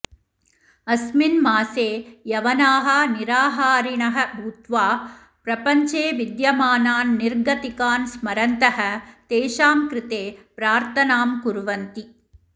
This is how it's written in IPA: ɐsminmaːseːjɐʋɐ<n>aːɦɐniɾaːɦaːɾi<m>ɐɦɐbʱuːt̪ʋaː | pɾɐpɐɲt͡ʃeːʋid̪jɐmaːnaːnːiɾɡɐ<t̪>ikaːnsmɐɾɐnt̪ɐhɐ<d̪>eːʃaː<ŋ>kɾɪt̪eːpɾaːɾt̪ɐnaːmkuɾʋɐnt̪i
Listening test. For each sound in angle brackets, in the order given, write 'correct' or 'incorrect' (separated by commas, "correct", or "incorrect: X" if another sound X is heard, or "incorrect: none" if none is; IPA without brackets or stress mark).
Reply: correct, incorrect: ɳ, correct, incorrect: t̪, incorrect: m